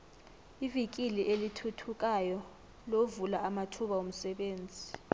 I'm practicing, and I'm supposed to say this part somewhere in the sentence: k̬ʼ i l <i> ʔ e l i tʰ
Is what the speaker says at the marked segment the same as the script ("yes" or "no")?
yes